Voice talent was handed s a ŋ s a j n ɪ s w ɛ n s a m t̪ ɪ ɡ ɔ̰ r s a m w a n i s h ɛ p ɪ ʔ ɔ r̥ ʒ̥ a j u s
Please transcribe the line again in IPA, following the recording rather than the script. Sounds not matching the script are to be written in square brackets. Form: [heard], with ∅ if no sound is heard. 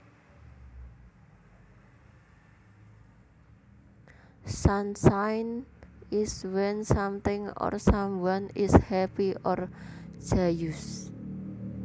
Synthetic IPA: s a [n] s a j n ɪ s w ɛ n s a m t̪ ɪ [ŋ] ɔ̰ r s a m w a n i s h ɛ p [i] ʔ ɔ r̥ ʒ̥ a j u s